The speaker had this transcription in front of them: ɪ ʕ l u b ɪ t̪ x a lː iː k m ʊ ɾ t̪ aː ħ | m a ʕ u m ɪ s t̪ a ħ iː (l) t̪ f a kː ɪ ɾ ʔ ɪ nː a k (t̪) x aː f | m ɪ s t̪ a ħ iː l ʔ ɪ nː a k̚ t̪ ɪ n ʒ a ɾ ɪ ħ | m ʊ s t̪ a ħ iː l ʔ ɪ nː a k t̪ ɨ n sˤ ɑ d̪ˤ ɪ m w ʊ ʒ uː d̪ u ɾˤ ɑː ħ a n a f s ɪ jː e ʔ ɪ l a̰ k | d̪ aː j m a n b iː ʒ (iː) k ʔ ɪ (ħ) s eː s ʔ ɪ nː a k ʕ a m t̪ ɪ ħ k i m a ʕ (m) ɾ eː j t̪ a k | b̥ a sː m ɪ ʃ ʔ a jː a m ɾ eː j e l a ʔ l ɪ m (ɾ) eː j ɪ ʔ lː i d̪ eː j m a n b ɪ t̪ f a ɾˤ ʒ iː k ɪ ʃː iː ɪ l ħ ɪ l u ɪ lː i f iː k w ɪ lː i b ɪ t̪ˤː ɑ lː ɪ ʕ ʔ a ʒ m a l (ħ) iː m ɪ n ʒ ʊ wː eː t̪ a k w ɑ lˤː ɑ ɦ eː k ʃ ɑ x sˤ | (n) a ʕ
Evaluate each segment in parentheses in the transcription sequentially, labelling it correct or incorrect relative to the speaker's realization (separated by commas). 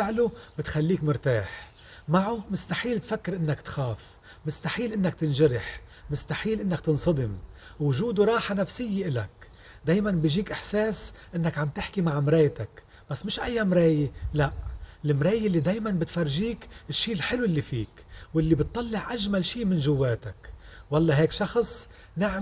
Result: correct, correct, correct, correct, correct, correct, incorrect, correct